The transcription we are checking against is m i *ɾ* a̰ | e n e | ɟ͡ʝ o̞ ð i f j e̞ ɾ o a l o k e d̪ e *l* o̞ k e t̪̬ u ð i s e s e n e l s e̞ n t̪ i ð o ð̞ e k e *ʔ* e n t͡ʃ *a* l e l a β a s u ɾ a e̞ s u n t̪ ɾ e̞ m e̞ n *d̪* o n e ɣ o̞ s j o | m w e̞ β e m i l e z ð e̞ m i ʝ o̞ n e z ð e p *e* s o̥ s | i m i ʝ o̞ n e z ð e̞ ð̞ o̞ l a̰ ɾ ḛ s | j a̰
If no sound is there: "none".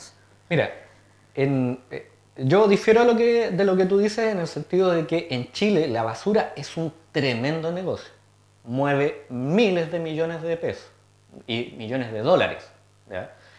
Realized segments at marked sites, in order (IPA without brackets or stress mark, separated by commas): ɾ, l, ʔ, i, d̪, e